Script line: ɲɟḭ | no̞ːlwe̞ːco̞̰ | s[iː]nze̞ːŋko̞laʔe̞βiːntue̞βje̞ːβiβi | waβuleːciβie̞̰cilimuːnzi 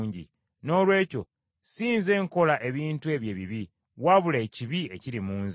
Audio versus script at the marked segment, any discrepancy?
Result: no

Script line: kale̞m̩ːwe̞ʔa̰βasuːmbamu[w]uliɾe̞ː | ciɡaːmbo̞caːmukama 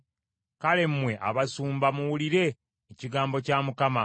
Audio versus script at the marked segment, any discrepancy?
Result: no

